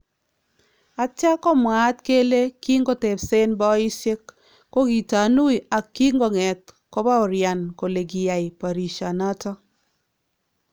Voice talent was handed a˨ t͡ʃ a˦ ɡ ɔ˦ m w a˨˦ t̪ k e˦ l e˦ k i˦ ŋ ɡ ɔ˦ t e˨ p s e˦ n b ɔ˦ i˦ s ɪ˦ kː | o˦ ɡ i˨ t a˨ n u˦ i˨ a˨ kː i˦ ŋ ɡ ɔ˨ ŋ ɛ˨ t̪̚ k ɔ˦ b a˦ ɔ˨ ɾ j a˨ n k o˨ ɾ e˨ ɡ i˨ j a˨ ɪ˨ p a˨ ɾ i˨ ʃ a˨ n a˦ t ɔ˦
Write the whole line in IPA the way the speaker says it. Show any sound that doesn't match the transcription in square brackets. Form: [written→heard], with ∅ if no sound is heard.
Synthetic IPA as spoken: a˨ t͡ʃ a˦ [ɡ→k] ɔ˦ m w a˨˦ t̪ k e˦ l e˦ k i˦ ŋ ɡ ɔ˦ t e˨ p s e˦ n b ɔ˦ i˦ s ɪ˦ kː | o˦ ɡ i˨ t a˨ n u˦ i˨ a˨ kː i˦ ŋ ɡ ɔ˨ ŋ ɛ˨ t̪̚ k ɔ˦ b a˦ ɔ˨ ɾ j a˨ n k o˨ [ɾ→l] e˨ ɡ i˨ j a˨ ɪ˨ p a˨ ɾ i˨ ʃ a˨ n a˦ t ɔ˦